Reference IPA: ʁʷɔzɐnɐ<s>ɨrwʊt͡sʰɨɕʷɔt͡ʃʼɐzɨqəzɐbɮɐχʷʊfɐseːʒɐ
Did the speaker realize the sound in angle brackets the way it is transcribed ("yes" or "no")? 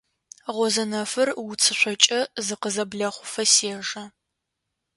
no